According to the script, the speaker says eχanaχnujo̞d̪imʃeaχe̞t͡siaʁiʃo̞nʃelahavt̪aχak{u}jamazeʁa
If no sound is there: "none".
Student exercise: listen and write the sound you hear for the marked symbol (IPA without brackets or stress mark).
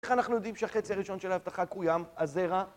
u